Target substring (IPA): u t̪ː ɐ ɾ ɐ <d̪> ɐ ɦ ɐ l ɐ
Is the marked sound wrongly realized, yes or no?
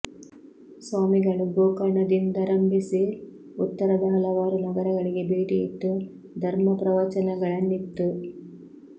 no